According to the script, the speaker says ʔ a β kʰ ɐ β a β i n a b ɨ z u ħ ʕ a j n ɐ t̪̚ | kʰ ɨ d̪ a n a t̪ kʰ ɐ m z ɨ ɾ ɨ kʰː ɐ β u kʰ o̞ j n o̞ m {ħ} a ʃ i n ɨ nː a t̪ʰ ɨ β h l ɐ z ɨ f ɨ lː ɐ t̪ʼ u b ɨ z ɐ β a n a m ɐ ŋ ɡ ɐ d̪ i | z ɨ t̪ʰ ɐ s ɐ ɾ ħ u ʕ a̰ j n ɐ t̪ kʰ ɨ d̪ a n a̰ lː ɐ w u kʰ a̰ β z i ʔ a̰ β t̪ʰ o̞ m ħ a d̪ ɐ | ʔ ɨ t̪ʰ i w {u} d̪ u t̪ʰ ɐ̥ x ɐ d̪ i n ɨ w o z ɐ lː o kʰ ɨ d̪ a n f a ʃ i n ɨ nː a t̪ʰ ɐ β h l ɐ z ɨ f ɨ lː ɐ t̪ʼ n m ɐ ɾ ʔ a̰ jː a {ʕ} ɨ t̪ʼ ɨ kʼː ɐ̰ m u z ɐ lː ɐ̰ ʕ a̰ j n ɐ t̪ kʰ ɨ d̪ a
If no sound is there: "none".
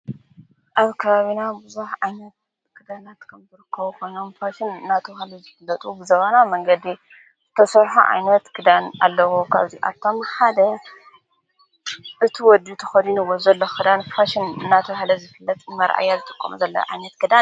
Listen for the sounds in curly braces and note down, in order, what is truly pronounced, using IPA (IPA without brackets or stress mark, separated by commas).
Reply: f, ɔ, z